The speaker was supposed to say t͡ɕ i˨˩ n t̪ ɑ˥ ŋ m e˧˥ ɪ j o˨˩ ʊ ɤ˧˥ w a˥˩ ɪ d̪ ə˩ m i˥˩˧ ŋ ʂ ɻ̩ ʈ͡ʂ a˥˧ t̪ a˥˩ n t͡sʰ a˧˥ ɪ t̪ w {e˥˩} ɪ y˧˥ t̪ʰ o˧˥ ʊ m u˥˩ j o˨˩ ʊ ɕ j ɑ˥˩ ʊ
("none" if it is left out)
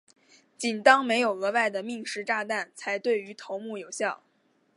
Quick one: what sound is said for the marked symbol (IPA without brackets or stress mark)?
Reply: e˥˩